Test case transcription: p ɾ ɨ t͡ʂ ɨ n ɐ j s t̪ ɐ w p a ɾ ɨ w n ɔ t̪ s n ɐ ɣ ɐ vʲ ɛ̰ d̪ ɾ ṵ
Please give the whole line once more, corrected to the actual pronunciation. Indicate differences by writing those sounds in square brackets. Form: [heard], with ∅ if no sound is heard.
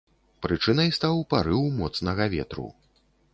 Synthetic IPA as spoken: p ɾ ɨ t͡ʂ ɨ n ɐ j s t̪ [a] w p a ɾ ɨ w [m] ɔ t̪ s n ɐ ɣ ɐ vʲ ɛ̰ [t̪] ɾ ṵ